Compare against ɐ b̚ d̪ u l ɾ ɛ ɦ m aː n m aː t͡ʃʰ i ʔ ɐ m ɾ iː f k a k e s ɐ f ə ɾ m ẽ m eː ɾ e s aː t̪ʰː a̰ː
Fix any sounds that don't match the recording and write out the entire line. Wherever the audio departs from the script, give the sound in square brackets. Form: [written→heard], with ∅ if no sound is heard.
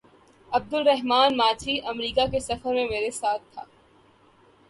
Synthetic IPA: ɐ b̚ d̪ [u→ʊ] l ɾ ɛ ɦ m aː n m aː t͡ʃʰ i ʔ ɐ m ɾ iː [f→∅] k a k e s ɐ f ə ɾ m ẽ m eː ɾ e s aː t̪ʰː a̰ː